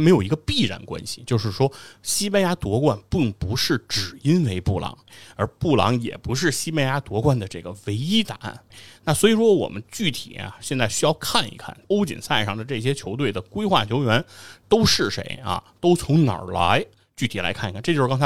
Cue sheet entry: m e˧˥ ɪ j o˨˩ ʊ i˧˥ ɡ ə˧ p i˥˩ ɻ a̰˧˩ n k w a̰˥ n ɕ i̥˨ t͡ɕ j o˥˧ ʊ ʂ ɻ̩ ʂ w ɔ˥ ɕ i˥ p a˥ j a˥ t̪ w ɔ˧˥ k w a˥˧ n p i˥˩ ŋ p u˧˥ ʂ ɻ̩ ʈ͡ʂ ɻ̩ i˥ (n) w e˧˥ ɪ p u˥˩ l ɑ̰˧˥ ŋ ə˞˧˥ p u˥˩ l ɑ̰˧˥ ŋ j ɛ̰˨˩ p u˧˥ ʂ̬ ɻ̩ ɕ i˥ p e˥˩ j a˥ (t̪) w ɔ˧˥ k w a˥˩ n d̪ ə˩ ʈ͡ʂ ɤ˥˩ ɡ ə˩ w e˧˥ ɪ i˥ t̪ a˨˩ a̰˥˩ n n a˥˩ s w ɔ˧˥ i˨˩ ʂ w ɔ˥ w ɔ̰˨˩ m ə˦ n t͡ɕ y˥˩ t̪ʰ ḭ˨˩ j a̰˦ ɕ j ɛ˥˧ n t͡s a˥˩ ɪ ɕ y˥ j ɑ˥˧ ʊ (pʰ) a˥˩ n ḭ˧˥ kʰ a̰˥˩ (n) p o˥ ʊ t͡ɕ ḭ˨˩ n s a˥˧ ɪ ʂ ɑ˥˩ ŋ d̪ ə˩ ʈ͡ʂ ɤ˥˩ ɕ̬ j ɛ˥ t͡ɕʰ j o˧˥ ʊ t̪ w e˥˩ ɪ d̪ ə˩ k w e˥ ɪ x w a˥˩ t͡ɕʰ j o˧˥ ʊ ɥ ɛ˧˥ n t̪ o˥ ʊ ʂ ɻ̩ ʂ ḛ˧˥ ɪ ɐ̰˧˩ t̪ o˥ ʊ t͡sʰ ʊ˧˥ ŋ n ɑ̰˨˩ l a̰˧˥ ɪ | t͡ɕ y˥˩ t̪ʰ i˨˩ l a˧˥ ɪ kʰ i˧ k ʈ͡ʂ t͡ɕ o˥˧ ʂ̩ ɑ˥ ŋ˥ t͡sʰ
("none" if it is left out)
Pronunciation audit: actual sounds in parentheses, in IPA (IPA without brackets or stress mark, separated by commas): n, t̪, kʰ, n